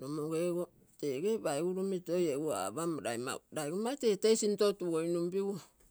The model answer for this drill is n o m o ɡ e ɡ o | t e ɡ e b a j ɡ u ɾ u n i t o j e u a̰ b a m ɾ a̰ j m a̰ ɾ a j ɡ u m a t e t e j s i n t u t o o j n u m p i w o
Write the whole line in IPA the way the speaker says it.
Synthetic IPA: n o m o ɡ e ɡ o | t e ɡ e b a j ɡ u ɾ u m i t o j e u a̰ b a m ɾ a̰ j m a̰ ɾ a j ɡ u m a t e t e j s i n t o t u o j n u m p i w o